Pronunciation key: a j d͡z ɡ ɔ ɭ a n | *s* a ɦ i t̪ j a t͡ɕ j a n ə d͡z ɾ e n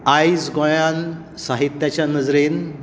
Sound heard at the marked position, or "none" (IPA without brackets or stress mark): s